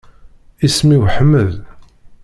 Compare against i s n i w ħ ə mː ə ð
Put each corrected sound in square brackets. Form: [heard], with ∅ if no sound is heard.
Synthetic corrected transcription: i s [m] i w ħ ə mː ə ð